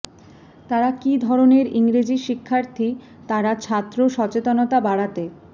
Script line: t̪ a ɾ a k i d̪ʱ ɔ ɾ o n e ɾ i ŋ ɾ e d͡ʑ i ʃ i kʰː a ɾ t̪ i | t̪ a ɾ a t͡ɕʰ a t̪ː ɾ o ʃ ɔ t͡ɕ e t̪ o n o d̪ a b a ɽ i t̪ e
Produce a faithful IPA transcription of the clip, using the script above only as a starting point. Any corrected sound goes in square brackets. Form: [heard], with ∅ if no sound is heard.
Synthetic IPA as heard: t̪ a ɾ a k i d̪ʱ ɔ ɾ o n e ɾ i ŋ ɾ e d͡ʑ i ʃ i kʰː a ɾ [t̪ʰ] i | t̪ a ɾ a t͡ɕʰ a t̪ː ɾ o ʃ ɔ t͡ɕ e t̪ o n o [t̪] a b a ɽ [a] t̪ e